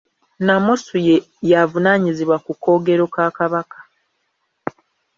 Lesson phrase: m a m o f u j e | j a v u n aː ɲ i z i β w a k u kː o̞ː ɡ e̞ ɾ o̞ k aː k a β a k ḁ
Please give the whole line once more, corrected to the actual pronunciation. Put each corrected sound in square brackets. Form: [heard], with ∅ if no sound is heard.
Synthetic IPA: [n] a m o [s] u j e | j a v u n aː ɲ i z i β w a k u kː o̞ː ɡ e̞ ɾ o̞ k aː k a β a k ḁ